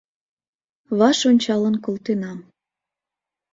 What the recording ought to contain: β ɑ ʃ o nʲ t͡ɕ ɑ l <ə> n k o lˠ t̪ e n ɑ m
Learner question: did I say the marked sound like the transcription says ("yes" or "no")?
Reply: yes